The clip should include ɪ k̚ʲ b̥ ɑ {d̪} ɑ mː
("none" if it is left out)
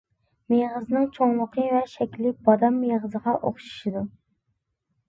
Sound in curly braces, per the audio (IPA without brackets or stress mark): d̪